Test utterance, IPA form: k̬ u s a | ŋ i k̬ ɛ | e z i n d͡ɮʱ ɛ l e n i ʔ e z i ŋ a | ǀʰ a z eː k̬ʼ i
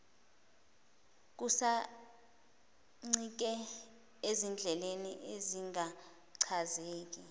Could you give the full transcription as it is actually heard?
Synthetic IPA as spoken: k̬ u s a | ŋ͡ǀ i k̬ ɛ | e z i n d͡ɮʱ ɛ l e n i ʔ e z i ŋ a | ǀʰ a z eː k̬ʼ i